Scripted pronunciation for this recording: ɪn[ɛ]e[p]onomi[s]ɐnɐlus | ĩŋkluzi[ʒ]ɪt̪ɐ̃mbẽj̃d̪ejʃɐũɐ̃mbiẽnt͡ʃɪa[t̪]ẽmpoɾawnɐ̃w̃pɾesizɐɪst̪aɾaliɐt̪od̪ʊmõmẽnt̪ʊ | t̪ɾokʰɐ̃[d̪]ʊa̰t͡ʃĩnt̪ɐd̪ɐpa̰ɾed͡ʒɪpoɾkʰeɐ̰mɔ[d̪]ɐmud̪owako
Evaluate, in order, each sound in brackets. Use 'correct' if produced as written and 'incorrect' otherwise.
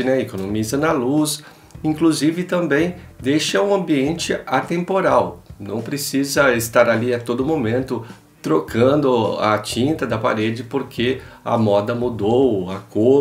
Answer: correct, incorrect: k, incorrect: z, incorrect: v, correct, correct, correct

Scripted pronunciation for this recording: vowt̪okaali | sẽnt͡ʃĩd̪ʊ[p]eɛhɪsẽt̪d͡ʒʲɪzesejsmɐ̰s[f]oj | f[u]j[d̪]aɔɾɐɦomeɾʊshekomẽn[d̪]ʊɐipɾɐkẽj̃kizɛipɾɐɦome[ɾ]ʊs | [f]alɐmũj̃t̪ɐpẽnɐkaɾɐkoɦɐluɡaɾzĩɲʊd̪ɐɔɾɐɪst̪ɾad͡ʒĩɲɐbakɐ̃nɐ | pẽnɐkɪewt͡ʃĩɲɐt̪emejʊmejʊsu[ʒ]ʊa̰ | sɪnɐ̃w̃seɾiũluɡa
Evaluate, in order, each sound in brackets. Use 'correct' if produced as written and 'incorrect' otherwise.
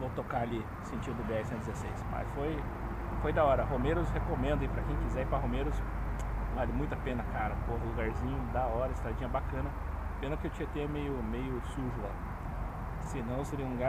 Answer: incorrect: b, correct, incorrect: o, correct, correct, correct, incorrect: v, correct

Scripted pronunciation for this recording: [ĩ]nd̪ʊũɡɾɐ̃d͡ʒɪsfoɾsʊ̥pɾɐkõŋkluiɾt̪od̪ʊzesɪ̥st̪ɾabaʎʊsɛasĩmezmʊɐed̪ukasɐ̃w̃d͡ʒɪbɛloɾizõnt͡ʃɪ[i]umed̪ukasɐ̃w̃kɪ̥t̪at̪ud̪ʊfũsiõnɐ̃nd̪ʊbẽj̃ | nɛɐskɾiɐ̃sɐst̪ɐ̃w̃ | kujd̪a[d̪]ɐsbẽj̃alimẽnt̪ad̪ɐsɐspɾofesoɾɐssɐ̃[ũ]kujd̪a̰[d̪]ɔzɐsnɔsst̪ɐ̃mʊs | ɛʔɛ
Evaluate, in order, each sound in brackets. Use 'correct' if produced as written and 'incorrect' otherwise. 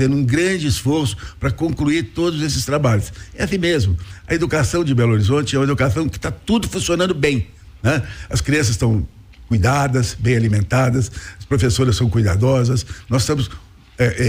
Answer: incorrect: ẽ, incorrect: ɛ, correct, incorrect: w̃, correct

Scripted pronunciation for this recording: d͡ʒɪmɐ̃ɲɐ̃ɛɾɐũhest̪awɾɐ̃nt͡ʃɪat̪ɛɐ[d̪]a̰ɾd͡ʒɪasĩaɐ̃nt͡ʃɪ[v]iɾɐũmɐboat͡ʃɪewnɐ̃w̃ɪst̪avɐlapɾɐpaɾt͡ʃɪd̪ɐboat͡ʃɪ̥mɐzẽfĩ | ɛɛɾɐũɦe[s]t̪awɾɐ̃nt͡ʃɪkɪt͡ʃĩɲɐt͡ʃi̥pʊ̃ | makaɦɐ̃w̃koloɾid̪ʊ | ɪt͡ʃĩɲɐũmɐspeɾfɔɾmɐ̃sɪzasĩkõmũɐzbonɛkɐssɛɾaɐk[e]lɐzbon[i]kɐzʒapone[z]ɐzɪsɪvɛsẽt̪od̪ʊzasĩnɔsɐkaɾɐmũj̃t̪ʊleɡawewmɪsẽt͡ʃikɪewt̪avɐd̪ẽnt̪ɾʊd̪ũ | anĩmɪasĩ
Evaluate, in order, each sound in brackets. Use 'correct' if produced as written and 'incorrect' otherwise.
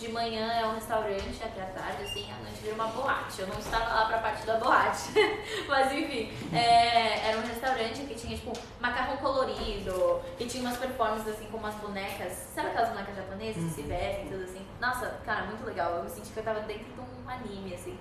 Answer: incorrect: t̪, correct, correct, incorrect: ɛ, incorrect: ɛ, correct

